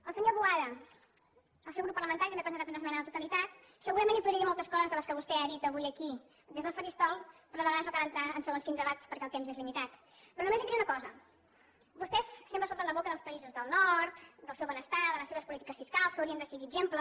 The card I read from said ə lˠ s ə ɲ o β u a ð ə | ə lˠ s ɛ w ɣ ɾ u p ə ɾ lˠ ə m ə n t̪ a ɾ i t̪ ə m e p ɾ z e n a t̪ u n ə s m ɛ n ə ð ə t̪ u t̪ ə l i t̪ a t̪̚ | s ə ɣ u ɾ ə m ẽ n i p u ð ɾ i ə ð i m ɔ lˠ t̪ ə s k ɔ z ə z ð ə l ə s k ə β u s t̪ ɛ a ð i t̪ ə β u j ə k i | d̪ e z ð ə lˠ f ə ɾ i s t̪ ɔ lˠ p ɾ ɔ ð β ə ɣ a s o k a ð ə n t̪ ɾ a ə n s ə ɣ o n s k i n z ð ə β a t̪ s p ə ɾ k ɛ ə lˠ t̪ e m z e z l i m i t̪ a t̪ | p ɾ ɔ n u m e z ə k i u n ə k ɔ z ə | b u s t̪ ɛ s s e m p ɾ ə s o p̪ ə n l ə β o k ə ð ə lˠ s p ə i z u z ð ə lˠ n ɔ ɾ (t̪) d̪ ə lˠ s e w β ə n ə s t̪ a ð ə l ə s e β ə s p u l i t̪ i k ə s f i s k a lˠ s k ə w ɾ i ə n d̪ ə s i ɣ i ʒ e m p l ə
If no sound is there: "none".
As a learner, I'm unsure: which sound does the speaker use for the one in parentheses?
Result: t̪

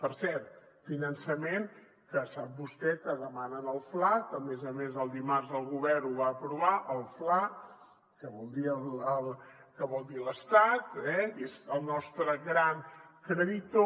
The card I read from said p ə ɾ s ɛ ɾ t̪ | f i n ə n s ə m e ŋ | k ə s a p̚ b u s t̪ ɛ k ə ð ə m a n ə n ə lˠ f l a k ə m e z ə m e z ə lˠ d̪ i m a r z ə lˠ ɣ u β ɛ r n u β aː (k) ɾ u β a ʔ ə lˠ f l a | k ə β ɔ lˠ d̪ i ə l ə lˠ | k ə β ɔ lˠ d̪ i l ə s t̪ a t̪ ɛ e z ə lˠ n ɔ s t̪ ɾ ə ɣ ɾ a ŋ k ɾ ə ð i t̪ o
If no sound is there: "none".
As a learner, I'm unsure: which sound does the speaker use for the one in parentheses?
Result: p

